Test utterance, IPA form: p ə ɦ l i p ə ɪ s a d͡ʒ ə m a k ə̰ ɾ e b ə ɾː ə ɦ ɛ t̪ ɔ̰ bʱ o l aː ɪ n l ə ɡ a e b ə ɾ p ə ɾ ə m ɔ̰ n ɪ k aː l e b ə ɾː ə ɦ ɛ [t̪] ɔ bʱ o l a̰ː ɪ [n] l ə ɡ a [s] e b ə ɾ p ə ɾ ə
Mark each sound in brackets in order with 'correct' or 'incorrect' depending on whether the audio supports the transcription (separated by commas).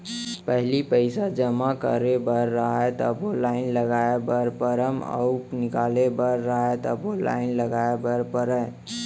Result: correct, correct, incorrect